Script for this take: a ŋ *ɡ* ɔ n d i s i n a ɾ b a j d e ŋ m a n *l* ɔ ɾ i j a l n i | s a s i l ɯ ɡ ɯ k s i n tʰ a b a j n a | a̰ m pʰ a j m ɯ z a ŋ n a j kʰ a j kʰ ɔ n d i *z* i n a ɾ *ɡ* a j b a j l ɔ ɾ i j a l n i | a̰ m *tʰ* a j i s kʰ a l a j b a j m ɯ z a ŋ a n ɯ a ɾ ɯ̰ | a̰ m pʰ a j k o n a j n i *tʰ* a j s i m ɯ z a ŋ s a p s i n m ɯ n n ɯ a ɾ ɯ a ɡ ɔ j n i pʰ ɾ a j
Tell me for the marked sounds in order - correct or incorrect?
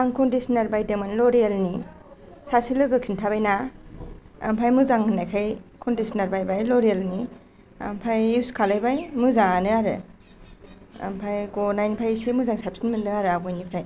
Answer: incorrect: k, correct, incorrect: s, incorrect: b, incorrect: pʰ, incorrect: pʰ

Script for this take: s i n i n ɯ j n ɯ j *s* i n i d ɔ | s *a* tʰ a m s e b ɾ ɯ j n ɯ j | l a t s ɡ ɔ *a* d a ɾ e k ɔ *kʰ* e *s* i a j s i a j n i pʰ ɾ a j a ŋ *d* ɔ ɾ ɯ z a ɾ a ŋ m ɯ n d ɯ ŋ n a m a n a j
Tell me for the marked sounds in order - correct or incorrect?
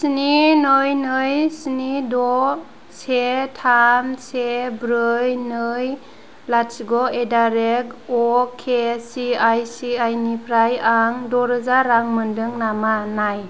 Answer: correct, incorrect: e, incorrect: e, correct, correct, correct

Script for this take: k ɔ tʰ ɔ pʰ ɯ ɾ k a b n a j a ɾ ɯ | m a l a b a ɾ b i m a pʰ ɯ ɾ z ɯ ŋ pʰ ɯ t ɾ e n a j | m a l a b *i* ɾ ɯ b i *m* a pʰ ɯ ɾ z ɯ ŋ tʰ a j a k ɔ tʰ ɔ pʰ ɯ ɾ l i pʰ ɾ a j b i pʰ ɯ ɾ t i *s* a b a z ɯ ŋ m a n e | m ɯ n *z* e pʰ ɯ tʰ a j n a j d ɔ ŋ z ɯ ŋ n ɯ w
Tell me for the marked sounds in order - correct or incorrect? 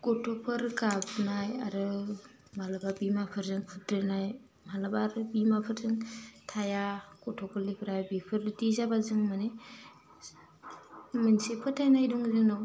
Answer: incorrect: a, correct, incorrect: z, incorrect: s

